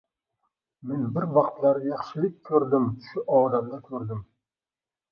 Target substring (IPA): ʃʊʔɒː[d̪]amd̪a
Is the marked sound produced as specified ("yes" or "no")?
yes